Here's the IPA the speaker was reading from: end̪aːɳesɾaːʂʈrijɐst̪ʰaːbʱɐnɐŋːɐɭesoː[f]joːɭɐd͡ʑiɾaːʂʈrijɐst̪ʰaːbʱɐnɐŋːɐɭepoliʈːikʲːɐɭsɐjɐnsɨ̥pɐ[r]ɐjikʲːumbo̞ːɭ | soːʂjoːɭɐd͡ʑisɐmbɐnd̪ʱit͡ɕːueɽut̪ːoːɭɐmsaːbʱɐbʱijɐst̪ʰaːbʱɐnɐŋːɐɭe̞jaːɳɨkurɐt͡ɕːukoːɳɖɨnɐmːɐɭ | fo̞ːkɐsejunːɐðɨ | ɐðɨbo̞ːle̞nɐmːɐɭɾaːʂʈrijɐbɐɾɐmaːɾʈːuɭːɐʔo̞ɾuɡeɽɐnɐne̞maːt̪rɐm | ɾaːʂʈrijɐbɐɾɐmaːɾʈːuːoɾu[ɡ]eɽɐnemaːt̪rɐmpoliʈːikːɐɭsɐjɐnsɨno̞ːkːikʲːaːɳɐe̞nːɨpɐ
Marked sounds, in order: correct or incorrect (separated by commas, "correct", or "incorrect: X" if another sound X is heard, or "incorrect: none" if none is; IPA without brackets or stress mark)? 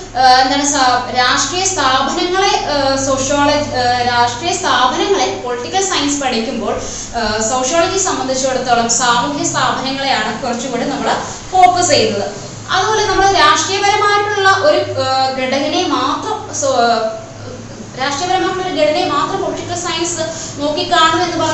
incorrect: ʂ, incorrect: ɽ, correct